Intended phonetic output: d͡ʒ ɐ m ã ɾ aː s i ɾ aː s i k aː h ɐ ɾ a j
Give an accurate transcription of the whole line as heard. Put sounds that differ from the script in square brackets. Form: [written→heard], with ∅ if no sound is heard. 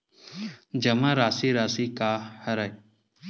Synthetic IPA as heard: d͡ʒ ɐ m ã ɾ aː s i ɾ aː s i k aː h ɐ ɾ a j